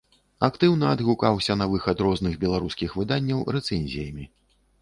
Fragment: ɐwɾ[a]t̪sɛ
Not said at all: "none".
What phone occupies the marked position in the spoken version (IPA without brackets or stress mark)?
ɛ